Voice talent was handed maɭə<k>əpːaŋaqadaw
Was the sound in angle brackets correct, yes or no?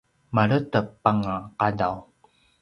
no